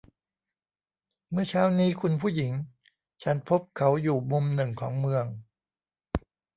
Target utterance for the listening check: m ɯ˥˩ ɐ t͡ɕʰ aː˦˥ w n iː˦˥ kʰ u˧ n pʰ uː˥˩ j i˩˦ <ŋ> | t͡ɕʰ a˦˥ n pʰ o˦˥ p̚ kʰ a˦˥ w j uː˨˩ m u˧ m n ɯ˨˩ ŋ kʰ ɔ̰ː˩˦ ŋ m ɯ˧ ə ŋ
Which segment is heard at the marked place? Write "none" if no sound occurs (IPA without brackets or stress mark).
ŋ